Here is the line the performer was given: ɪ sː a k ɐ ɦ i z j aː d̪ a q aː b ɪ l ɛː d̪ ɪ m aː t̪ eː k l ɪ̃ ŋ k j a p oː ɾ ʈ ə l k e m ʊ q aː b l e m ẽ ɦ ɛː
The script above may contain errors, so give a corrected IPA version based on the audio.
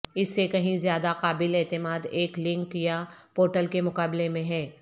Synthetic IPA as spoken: ɪ sː e k ɐ ɦ ĩ z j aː d̪ a q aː b ɪ l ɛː t̪ ɪ m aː d̪ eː k l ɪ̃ ŋ k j a p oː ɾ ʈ ə l k e m ʊ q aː b l e m ẽ ɦ ɛː

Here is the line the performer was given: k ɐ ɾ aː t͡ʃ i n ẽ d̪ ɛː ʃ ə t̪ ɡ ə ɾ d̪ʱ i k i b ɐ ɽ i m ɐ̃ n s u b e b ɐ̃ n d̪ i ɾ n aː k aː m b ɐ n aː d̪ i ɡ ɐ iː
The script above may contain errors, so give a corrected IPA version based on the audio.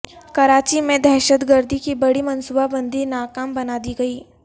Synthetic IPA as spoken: k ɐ ɾ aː t͡ʃ i m ẽ d̪ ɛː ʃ ə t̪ ɡ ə ɾ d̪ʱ i k i b ɐ ɽ i m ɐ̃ n s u b a b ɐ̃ n d̪ i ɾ n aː k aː m b ɐ n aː d̪ i ɡ ɐ iː

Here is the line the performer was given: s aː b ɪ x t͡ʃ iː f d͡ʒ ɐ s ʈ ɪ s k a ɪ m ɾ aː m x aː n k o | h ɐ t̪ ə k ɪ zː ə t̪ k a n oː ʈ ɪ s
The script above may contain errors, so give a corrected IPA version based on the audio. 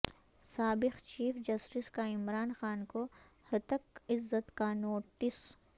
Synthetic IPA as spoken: s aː b ɪ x t͡ʃ iː f d͡ʒ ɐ s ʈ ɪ s k a ɪ m ɾ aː n x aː n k o | h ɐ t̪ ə k ɪ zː ə t̪ k a n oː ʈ ɪ s

